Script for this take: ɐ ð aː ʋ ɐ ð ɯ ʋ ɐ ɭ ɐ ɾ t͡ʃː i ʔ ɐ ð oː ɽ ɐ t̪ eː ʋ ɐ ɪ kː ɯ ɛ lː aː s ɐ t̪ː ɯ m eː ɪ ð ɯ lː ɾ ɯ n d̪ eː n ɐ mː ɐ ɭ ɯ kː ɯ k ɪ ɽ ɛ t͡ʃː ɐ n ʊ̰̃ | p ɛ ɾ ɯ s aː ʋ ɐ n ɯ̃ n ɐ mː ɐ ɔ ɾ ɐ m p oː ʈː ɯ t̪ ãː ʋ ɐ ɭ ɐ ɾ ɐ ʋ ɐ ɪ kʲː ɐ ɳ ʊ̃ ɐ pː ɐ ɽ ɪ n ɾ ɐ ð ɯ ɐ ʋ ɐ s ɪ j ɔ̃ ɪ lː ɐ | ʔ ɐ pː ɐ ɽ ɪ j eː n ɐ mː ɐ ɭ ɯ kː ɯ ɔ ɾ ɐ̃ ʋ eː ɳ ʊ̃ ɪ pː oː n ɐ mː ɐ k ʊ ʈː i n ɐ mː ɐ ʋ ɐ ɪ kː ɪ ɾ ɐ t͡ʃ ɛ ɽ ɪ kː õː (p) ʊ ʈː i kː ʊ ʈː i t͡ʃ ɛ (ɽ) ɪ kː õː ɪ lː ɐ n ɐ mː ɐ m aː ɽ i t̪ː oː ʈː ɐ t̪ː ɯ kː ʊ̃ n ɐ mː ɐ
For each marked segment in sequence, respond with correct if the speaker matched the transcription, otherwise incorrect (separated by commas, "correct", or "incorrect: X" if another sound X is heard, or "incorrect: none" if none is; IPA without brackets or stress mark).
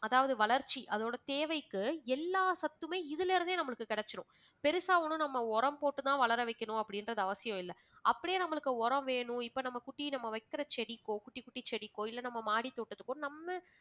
incorrect: k, correct